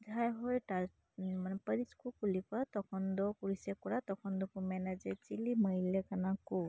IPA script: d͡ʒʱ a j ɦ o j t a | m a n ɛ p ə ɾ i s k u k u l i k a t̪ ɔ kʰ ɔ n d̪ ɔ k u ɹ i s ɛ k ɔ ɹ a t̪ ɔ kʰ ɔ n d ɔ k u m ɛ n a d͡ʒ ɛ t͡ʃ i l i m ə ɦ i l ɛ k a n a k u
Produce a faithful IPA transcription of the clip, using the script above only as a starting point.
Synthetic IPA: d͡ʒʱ a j ɦ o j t a | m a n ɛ p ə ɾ i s k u k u l i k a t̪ ɔ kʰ ɔ n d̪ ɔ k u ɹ i s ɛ k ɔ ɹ a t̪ ɔ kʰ ɔ n d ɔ k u m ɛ n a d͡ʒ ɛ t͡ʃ i l i m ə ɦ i l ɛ k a n a k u